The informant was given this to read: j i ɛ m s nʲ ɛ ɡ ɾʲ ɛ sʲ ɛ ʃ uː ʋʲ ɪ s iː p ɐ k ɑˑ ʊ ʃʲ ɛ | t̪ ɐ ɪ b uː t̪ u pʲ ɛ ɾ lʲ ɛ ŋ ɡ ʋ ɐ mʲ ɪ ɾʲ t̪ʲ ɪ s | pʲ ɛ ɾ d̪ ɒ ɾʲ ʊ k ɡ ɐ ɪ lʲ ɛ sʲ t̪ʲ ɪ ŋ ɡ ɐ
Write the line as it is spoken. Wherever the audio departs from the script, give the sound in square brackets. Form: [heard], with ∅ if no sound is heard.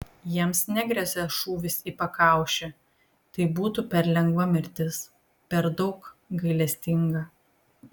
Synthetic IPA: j i ɛ m s nʲ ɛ ɡ ɾʲ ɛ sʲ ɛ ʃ uː ʋʲ ɪ s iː p ɐ k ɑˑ ʊ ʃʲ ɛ | t̪ ɐ ɪ b uː t̪ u pʲ ɛ ɾ lʲ ɛ ŋ ɡ ʋ ɐ mʲ ɪ ɾʲ t̪ʲ ɪ s | pʲ ɛ ɾ d̪ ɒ [∅] ʊ k ɡ ɐ ɪ lʲ ɛ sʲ t̪ʲ ɪ ŋ ɡ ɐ